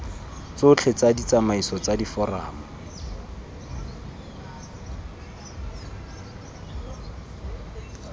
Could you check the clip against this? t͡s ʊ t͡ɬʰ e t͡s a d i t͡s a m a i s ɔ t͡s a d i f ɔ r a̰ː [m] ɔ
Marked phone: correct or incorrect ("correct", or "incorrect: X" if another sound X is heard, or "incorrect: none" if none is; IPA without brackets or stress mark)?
correct